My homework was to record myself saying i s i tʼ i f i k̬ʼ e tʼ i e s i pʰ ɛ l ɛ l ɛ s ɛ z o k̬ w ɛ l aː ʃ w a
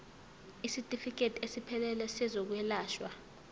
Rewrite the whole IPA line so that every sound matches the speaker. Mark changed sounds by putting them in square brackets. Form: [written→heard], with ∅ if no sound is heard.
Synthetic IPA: i s i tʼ i f i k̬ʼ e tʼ i e s i pʰ ɛ l ɛ l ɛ s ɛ z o k̬ w ɛ l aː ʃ w a